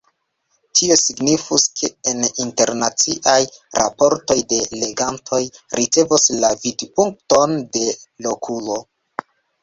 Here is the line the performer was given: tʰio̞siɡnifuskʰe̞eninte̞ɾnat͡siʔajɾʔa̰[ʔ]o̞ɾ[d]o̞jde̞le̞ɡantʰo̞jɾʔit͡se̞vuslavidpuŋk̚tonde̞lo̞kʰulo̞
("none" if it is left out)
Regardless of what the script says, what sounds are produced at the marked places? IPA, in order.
p, t

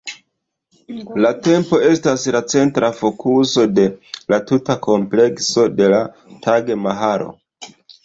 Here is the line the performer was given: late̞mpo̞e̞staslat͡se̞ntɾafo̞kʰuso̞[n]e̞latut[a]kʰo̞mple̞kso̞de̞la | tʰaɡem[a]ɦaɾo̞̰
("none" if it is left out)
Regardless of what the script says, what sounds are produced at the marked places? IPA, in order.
d, a, a

